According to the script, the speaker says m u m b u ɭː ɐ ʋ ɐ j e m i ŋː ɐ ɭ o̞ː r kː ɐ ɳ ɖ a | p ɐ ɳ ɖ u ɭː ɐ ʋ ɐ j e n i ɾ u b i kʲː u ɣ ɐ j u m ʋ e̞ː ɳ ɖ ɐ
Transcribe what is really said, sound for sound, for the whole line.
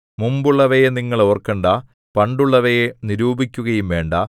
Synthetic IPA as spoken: m u m b u ɭː ɐ ʋ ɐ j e n i ŋː ɐ ɭ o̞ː r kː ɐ ɳ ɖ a | p ɐ ɳ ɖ u ɭː ɐ ʋ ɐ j e n i ɾ uː b i kʲː u ɣ ɐ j u m ʋ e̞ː ɳ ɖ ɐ